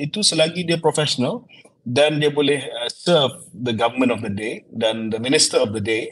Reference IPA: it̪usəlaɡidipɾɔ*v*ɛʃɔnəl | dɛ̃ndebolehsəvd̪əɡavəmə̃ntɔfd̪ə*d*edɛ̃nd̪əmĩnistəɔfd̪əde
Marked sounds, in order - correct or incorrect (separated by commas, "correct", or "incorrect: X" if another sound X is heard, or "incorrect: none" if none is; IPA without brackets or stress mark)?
incorrect: f, correct